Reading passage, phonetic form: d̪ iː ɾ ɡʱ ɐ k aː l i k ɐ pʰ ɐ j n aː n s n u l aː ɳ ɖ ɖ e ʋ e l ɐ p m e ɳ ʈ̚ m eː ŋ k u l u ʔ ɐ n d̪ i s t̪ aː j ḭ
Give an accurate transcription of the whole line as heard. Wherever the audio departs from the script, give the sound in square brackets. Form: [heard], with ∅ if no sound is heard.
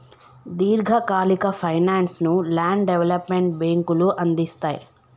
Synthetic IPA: d̪ iː ɾ ɡʱ ɐ k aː l i k ɐ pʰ ɐ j n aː n s n u l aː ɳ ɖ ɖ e ʋ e l ɐ p m e ɳ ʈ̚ [b] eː ŋ k u l u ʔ ɐ n d̪ i s t̪ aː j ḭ